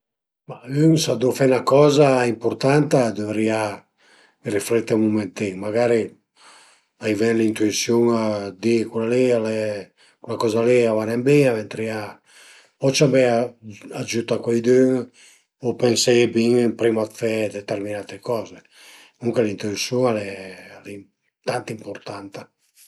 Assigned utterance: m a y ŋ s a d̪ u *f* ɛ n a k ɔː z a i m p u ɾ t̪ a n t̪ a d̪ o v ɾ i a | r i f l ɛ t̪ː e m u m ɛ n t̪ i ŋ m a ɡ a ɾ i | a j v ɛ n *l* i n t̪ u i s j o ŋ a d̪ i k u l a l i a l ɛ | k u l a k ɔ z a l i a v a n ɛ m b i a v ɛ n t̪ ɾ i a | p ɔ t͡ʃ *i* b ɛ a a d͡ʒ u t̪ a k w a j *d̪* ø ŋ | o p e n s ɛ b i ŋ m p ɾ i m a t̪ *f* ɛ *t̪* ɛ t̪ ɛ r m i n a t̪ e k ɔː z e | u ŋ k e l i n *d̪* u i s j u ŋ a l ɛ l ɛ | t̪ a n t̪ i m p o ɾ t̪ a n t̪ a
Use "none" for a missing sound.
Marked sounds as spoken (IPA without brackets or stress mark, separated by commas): f, l, a, d̪, f, d̪, t̪